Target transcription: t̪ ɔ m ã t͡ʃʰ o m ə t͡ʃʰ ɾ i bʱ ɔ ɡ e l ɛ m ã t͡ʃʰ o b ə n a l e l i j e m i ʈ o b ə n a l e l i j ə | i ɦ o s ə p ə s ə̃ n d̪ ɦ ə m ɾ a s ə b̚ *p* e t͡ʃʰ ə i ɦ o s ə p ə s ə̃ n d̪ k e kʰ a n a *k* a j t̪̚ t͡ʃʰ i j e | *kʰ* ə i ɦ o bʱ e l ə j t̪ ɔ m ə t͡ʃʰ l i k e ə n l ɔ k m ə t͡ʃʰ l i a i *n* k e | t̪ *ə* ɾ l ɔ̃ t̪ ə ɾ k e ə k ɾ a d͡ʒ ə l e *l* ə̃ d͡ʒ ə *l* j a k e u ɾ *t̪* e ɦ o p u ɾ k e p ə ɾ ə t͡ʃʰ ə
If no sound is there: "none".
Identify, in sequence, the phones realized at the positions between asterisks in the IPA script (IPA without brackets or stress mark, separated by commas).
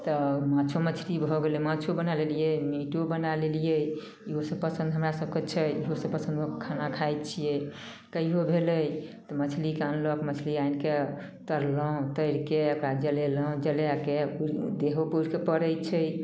k, kʰ, k, n, ə, l, l, d̪